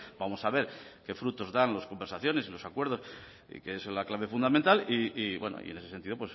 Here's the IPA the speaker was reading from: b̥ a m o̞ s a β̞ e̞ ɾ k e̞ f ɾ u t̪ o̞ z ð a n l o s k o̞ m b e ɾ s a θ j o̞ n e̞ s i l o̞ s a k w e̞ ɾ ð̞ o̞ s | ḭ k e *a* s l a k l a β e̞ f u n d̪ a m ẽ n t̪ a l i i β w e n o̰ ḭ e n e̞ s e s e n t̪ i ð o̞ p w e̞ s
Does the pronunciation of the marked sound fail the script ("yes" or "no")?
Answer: yes